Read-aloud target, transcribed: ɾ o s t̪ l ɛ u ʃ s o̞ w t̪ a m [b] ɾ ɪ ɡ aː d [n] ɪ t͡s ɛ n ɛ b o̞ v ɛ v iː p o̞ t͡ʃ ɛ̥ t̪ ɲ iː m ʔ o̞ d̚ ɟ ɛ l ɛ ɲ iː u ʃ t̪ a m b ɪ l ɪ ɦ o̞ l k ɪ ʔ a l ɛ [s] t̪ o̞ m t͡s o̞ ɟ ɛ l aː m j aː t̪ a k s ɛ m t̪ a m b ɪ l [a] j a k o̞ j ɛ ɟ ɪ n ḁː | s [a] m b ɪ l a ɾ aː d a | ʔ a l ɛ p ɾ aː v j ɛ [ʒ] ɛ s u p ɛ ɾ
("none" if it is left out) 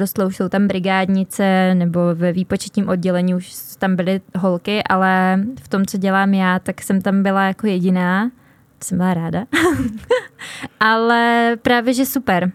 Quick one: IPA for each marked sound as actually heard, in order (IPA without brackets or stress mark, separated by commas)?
b, ɲ, f, a, ɛ, ʒ